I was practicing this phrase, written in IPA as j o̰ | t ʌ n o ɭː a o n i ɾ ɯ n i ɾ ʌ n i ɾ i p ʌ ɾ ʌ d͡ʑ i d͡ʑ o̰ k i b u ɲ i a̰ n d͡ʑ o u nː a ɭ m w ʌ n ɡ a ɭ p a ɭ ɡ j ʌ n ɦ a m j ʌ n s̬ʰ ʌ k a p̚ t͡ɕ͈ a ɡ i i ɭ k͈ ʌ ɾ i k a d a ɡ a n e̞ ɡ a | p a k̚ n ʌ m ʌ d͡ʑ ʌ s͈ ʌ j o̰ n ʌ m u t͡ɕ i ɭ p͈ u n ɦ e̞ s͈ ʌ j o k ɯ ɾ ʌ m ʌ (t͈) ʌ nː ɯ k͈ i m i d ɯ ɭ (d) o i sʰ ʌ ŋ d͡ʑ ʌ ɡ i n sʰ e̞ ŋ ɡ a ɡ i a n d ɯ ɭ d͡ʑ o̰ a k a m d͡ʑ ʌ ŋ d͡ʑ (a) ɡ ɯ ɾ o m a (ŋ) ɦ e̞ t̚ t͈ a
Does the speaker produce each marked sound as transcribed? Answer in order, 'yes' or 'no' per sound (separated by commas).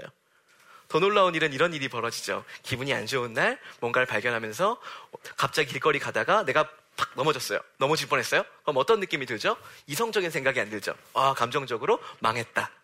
yes, no, no, yes